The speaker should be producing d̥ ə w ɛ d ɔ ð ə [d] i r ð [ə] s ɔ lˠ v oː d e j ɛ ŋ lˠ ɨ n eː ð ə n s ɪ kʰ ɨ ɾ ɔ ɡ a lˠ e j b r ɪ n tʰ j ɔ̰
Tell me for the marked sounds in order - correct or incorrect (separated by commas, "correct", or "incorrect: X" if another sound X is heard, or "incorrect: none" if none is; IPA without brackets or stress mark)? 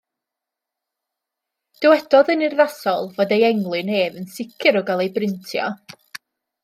incorrect: n, incorrect: a